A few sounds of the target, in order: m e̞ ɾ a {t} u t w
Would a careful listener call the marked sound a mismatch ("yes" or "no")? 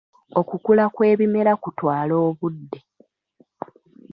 yes